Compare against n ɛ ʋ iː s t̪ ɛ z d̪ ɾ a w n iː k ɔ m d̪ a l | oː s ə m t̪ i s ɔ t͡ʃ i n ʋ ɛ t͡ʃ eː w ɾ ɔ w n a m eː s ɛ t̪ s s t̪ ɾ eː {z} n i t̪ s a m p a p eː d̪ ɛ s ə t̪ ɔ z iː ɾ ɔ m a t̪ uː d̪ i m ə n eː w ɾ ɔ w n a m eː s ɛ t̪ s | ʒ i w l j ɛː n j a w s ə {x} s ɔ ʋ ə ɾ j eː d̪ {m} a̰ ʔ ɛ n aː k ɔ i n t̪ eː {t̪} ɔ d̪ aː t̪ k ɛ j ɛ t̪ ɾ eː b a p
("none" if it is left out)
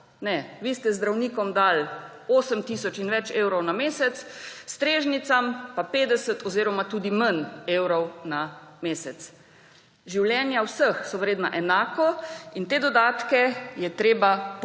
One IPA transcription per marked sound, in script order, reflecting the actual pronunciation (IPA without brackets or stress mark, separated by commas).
ʒ, x, n, d̪